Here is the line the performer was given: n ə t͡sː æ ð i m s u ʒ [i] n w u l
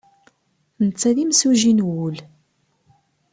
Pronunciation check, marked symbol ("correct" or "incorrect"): correct